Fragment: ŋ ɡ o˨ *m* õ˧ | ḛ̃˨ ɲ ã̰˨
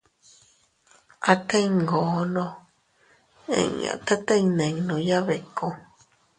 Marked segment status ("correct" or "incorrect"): incorrect